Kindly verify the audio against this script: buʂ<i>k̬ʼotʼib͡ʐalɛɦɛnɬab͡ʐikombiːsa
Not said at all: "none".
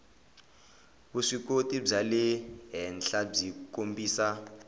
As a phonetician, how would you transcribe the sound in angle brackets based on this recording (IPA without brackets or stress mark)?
i